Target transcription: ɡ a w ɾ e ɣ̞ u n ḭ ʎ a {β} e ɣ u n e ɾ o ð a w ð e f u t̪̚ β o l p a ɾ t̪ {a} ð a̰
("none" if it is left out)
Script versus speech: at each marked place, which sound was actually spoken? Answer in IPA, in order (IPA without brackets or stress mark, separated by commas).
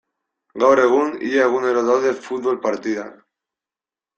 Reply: none, i